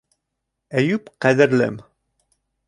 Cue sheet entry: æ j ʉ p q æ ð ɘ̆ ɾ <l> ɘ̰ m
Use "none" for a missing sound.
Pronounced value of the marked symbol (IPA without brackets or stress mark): l